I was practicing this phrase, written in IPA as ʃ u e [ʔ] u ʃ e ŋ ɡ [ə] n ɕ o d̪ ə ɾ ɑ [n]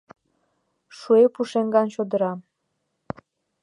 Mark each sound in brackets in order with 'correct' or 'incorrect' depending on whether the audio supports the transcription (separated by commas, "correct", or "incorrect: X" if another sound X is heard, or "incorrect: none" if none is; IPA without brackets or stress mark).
incorrect: p, incorrect: ɑ, incorrect: m